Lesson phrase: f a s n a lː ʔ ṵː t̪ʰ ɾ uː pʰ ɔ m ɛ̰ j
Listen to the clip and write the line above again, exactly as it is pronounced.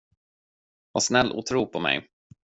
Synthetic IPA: v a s n ɛ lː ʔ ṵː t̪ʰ ɾ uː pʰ ɔ m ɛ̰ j

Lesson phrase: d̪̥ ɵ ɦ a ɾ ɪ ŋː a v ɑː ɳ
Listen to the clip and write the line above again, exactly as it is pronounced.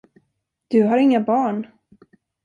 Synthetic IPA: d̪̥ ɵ ɦ a ɾ ɪ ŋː a b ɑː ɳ

